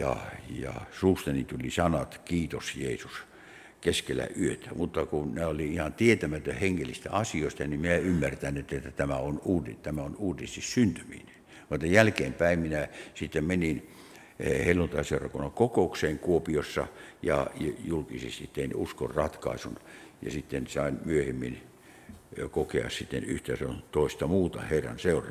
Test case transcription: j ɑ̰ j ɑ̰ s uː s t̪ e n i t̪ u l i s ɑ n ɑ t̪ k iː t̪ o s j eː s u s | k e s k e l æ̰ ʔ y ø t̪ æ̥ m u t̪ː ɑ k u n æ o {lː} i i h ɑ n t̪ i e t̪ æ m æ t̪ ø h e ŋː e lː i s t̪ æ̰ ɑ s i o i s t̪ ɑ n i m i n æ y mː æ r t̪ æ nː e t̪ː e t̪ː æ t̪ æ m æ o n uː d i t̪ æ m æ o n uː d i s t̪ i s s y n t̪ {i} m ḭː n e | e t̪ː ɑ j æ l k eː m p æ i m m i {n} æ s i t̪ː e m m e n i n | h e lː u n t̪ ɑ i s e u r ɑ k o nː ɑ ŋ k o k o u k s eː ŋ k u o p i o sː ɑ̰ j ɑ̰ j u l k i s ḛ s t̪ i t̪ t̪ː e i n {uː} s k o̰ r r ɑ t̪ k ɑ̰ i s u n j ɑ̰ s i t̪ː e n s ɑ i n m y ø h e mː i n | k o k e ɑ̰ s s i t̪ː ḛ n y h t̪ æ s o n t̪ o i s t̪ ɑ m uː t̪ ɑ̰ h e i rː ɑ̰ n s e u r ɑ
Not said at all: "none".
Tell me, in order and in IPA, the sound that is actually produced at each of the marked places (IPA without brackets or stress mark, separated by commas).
l, y, n, u